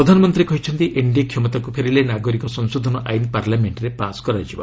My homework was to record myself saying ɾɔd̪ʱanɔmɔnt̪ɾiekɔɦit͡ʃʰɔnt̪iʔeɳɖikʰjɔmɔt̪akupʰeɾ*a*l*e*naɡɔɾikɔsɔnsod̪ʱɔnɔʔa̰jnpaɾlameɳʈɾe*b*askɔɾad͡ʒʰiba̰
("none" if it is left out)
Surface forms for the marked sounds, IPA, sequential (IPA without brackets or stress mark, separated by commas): i, e, p